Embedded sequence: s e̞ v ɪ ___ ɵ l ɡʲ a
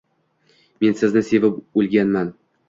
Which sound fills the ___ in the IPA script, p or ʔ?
p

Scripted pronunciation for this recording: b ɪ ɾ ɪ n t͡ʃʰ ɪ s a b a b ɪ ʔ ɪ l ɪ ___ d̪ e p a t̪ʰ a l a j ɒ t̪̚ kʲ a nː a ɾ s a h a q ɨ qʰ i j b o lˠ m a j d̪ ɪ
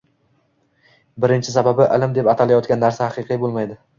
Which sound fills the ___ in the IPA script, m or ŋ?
m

